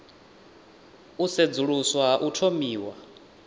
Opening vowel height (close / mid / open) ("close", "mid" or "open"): close